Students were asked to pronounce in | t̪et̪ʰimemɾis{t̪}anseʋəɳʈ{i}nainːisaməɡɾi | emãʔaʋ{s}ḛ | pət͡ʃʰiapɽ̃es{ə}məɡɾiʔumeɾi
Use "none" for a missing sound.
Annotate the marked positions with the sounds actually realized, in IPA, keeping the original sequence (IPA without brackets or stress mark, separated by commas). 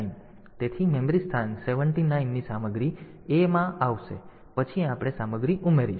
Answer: t̪ʰ, i, ʃ, a